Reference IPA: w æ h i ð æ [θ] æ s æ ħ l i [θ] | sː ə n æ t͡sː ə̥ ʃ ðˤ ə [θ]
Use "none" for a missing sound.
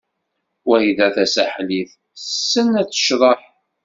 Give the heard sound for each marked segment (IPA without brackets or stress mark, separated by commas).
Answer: θ, θ, ħ